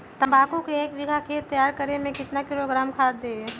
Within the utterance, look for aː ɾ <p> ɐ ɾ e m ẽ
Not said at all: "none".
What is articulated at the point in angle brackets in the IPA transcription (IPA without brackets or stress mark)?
k